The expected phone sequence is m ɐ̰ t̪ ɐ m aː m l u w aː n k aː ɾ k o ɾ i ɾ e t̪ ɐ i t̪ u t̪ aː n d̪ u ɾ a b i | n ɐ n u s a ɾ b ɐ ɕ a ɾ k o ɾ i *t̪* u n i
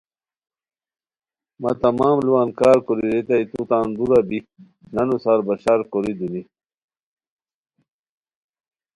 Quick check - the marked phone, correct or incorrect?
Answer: incorrect: d̪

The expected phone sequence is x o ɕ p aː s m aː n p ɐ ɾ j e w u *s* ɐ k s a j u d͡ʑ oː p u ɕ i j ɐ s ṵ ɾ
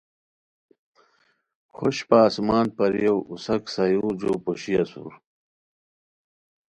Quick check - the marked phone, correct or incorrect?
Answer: correct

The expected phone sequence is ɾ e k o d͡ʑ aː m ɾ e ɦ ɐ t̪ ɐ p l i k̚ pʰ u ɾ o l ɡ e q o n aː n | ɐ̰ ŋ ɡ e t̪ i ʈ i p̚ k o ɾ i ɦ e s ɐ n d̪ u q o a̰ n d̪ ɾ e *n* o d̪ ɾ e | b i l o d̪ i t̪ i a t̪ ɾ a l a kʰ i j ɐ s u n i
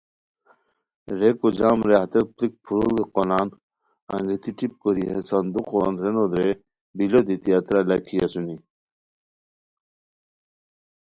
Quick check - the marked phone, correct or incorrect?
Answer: correct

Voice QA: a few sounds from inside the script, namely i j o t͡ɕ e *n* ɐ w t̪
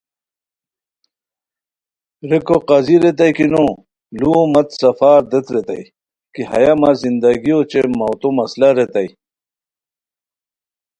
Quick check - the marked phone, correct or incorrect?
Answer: incorrect: m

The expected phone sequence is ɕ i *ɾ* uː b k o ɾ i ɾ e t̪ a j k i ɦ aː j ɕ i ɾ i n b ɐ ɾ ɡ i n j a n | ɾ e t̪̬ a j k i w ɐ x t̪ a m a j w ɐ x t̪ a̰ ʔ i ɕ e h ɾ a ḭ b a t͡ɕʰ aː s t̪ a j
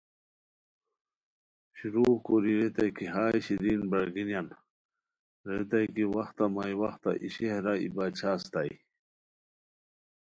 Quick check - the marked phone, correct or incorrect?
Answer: correct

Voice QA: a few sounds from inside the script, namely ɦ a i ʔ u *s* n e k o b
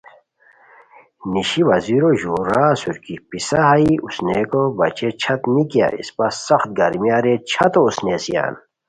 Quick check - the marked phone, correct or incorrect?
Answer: correct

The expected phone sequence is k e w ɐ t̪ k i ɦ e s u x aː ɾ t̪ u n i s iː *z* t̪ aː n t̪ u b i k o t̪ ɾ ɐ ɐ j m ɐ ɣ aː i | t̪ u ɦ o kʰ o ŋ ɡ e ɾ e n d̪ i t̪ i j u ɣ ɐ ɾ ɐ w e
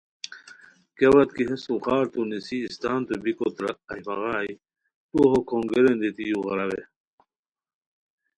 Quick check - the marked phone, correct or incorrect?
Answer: incorrect: s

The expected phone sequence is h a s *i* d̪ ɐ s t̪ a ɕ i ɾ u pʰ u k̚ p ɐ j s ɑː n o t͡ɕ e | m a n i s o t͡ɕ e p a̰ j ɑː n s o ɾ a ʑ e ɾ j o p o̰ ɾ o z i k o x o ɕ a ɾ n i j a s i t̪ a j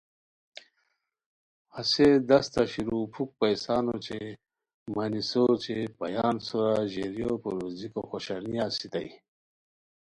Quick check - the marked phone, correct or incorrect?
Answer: incorrect: e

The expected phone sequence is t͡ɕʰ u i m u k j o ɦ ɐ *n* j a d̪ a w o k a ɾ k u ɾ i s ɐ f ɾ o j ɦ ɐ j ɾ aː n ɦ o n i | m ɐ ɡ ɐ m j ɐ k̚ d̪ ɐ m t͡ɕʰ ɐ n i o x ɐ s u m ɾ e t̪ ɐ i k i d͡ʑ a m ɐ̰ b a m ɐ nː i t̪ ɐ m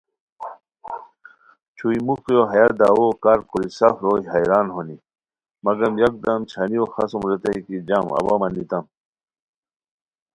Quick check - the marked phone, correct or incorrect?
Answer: incorrect: none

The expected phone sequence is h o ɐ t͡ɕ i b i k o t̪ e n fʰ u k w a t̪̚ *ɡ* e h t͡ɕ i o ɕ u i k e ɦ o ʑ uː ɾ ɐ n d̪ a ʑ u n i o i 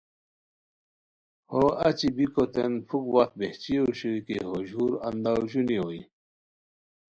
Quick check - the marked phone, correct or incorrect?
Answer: incorrect: b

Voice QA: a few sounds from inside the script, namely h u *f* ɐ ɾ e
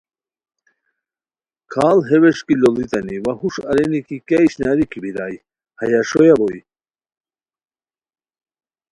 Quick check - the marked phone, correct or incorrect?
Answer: incorrect: ʂ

